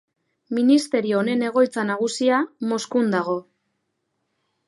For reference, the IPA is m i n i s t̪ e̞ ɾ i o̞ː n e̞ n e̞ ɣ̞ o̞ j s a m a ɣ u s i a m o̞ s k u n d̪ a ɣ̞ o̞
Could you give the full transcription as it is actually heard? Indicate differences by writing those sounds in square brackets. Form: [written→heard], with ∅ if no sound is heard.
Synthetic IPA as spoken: m i n i s t̪ e̞ ɾ i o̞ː n e̞ n e̞ ɣ̞ o̞ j [s→t͡s] a [m→n] a ɣ u s i a m o̞ s k u n d̪ a ɣ̞ o̞